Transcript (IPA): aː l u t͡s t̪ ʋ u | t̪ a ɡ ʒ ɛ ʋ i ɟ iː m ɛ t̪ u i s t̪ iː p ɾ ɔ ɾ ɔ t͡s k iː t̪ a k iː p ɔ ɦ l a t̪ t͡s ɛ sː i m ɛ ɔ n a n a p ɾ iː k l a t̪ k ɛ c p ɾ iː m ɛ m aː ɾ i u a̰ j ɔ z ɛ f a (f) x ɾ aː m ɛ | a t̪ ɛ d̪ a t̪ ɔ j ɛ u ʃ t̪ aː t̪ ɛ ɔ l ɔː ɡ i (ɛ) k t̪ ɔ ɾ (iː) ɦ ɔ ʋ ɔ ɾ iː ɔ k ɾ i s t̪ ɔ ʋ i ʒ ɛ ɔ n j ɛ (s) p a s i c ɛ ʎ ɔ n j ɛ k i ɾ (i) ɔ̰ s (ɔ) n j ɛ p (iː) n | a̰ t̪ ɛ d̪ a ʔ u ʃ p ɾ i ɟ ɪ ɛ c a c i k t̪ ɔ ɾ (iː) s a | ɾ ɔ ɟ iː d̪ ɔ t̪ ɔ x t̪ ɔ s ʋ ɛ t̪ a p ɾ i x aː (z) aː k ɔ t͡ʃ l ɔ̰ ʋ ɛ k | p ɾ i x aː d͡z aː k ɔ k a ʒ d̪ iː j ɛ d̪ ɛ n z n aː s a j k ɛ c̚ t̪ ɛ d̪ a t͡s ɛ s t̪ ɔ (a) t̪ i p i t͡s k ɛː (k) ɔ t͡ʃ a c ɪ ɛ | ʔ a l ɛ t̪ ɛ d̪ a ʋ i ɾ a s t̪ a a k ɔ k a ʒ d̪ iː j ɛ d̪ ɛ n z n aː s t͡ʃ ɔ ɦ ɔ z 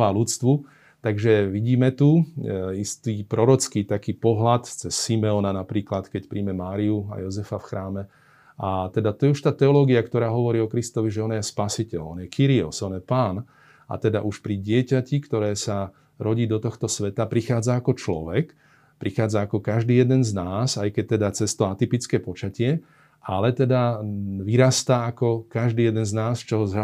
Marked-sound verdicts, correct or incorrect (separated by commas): correct, incorrect, incorrect, correct, correct, correct, incorrect, incorrect, incorrect, correct, incorrect